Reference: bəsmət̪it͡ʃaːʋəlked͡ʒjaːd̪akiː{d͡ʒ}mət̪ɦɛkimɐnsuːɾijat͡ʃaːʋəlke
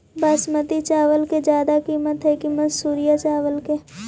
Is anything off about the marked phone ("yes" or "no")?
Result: yes